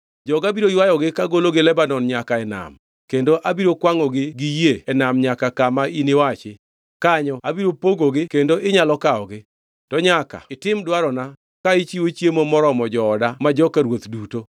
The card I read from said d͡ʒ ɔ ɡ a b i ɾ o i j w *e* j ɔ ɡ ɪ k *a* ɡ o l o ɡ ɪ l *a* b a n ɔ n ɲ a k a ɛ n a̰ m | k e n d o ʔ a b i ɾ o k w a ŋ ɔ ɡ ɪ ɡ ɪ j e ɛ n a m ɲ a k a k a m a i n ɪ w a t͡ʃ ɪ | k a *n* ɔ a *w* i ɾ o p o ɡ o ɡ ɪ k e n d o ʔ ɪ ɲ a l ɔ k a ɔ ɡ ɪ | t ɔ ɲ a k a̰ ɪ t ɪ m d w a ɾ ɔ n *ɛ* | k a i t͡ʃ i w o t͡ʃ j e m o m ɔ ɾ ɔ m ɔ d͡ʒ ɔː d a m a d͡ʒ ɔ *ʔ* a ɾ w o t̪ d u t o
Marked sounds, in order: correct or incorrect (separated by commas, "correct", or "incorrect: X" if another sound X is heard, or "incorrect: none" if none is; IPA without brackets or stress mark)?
incorrect: a, correct, incorrect: ɛ, incorrect: ɲ, incorrect: b, incorrect: a, incorrect: k